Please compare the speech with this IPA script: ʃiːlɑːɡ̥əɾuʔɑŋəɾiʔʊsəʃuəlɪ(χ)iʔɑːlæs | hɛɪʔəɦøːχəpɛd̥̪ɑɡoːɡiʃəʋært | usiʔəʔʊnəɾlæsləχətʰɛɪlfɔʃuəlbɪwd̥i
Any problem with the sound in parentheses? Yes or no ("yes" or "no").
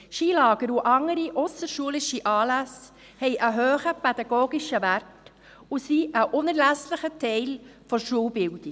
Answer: yes